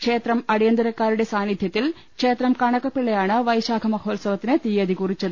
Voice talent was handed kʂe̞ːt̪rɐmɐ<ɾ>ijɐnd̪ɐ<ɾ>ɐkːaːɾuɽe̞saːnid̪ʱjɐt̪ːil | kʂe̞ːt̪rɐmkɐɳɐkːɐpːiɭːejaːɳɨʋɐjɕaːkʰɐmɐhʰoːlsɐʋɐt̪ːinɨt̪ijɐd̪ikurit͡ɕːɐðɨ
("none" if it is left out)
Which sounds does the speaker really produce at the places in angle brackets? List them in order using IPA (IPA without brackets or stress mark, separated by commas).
ɽ, ɾ